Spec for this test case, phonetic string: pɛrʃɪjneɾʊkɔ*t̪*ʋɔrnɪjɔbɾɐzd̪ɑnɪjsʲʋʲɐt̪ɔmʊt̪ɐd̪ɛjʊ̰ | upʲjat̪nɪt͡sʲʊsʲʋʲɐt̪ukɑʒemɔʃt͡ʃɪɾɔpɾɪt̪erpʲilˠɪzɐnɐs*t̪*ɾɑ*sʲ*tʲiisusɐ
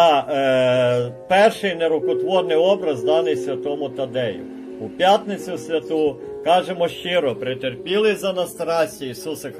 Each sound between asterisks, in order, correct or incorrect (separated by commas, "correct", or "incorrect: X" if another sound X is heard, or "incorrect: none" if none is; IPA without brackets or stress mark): correct, correct, correct